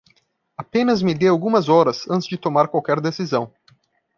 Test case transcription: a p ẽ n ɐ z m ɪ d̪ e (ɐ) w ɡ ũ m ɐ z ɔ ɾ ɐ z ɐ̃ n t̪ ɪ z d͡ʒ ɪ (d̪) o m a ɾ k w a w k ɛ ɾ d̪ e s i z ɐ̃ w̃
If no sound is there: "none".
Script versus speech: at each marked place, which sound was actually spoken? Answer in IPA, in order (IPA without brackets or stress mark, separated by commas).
a, t̪